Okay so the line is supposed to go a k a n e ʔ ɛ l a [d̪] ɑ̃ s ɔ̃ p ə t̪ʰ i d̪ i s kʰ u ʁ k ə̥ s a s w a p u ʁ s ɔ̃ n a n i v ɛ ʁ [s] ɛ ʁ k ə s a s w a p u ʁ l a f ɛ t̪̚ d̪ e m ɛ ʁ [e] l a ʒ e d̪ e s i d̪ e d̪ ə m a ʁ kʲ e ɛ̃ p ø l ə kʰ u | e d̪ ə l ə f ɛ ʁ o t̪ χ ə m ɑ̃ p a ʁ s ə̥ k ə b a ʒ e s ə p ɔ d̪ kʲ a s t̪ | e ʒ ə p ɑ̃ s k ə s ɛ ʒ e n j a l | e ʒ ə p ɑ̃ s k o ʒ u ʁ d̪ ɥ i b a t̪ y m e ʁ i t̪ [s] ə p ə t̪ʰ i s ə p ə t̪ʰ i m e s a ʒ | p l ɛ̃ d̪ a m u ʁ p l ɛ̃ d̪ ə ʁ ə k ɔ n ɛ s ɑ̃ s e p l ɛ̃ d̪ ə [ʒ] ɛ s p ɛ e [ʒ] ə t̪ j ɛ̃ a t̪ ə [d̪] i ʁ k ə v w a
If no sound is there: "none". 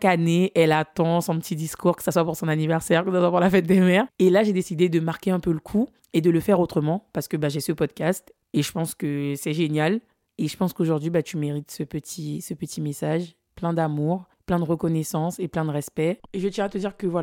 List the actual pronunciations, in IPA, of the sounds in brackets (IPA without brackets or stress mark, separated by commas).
t̪, s, e, s, ʁ, ʒ, d̪